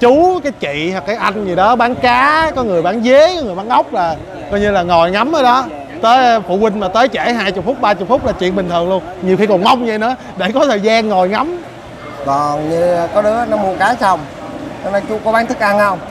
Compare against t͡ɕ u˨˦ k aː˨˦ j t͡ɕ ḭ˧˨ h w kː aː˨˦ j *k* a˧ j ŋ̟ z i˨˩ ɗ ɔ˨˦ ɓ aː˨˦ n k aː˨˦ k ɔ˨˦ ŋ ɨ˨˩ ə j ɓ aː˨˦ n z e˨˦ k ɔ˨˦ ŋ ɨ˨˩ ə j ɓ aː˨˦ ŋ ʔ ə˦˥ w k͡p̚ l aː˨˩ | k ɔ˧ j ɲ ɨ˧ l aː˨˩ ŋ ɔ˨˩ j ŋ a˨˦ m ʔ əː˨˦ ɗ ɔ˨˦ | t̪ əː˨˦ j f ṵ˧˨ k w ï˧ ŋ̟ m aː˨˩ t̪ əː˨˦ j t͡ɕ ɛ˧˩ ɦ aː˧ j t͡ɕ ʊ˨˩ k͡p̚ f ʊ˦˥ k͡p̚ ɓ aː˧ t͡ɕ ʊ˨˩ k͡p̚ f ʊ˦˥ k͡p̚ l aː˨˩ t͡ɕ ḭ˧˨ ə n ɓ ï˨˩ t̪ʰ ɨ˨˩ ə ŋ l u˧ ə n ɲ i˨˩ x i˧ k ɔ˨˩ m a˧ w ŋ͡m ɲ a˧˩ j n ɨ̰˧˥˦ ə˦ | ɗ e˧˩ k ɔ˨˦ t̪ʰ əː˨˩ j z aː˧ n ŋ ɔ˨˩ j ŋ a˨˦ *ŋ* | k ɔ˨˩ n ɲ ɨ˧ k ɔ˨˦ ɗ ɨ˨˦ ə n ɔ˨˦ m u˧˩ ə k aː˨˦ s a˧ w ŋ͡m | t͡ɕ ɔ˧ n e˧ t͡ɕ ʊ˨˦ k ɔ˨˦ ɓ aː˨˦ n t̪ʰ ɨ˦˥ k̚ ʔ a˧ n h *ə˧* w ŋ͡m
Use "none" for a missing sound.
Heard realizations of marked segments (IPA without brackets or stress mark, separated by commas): ʔ, m, ə˧